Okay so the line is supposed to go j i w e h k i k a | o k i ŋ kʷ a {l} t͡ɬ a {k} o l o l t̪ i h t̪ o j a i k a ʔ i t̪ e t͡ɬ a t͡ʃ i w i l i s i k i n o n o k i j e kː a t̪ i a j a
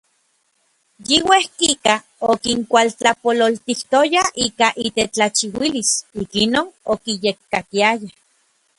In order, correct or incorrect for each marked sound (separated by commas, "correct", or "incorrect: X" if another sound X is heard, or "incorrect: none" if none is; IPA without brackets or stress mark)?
correct, incorrect: p